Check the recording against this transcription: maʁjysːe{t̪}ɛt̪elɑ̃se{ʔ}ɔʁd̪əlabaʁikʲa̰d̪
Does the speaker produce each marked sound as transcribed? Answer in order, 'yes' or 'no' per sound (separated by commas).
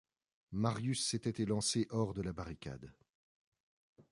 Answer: yes, yes